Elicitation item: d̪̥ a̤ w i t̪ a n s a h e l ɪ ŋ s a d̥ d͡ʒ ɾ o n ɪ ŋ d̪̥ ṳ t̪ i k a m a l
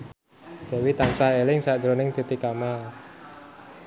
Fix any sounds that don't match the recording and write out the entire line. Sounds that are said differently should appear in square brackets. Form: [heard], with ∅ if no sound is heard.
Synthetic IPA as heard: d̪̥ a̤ w i t̪ a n s a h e l ɪ ŋ s a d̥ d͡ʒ ɾ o n ɪ ŋ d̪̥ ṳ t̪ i k a m a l